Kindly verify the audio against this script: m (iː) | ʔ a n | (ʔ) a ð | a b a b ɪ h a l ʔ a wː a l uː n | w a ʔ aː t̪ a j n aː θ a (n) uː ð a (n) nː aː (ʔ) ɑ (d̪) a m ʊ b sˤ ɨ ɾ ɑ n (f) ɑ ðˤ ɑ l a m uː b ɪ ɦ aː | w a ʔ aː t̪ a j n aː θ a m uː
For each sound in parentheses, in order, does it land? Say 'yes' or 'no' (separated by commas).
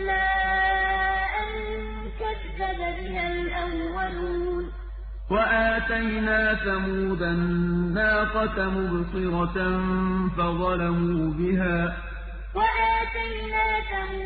no, no, no, yes, no, no, yes